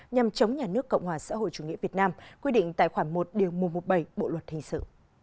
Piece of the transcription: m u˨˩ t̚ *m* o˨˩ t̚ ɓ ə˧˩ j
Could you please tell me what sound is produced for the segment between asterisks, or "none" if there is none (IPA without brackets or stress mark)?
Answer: m